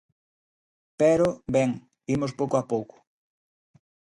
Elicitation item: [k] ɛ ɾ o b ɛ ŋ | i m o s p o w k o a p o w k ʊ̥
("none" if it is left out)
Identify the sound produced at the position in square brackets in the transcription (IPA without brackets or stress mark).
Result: p